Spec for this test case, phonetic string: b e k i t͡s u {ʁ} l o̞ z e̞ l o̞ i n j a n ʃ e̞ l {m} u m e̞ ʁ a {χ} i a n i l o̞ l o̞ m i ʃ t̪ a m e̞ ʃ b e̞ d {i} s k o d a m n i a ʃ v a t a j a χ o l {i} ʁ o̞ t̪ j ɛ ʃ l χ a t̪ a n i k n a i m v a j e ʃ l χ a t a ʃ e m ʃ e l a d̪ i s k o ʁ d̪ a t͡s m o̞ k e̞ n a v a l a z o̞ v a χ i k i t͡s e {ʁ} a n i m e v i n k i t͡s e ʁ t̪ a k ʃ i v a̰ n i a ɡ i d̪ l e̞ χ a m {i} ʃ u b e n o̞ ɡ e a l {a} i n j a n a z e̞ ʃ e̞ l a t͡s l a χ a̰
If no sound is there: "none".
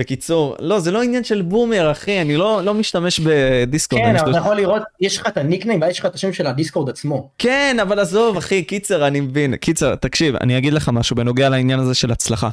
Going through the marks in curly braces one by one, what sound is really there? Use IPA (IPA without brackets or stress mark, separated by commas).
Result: ʁ, b, χ, i, i, ʁ, a, a